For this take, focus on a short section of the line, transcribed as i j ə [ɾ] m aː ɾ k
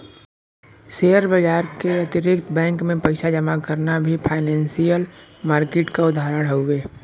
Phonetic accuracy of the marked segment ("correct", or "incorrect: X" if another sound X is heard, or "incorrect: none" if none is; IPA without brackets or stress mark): incorrect: l